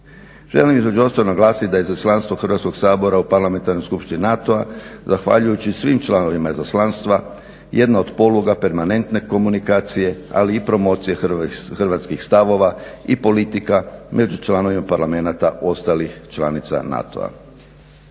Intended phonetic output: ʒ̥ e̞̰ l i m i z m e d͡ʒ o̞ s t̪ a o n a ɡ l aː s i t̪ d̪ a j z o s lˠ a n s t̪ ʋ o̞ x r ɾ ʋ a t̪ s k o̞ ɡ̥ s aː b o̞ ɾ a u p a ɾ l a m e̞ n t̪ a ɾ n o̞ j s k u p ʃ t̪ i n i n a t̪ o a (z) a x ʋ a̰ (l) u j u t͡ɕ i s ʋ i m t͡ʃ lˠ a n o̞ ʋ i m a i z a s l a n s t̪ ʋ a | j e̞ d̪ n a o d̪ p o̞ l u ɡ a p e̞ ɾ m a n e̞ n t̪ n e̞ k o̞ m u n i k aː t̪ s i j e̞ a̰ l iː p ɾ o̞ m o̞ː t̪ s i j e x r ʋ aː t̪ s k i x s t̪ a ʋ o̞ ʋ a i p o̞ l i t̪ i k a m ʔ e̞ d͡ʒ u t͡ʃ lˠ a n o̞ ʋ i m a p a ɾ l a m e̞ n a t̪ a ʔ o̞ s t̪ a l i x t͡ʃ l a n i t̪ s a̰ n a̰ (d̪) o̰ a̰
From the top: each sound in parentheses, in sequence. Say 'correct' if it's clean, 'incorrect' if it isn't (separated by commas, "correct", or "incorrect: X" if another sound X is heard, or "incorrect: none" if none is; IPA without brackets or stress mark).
correct, incorrect: ʎ, incorrect: t̪